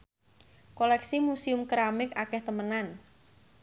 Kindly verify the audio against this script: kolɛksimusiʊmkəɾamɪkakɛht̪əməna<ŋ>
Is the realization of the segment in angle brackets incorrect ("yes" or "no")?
yes